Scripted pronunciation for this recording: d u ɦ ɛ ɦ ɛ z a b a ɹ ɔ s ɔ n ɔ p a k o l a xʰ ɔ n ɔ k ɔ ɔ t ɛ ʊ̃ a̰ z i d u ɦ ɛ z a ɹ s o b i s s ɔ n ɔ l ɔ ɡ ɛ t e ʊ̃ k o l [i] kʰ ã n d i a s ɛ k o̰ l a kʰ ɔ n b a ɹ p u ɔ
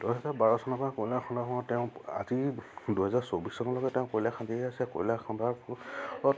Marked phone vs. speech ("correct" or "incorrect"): incorrect